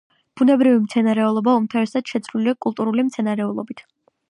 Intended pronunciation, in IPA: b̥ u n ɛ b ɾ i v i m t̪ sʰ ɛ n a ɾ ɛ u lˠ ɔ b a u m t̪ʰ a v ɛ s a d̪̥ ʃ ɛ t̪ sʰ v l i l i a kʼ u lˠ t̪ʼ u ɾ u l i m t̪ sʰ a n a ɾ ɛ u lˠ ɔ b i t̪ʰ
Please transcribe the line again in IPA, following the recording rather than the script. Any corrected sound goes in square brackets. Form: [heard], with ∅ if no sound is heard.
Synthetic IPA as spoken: b̥ u n ɛ b ɾ i v i m t̪ sʰ ɛ n a ɾ ɛ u lˠ ɔ b a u m t̪ʰ a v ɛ s a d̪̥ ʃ ɛ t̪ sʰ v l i l i a kʼ u lˠ t̪ʼ u ɾ u l i m t̪ sʰ [ɛ] n a ɾ ɛ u lˠ ɔ b i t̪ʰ